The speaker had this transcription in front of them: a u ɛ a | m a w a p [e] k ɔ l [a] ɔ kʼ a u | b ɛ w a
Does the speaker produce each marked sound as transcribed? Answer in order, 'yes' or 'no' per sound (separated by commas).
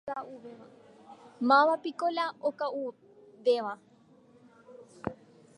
no, yes